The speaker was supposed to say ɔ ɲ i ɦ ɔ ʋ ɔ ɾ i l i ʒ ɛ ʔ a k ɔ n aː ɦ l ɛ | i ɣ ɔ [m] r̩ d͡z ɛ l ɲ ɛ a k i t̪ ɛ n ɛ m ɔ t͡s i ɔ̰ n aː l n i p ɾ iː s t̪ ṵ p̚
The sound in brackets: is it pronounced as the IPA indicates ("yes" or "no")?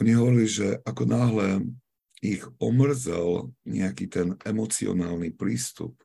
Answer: yes